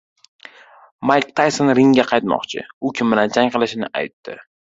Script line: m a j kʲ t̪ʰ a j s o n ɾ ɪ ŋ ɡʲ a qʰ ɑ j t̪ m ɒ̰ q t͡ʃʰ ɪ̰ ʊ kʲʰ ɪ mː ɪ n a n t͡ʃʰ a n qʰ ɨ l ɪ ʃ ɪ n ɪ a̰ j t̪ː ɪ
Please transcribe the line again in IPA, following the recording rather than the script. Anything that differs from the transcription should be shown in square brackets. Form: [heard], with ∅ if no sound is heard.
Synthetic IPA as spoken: m a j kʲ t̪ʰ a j s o n ɾ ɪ ŋ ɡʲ a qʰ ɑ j t̪ m ɒ̰ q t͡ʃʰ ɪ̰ ʊ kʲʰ ɪ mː ɪ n a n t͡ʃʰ a [ŋ] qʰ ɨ l ɪ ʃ ɪ n ɪ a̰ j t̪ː ɪ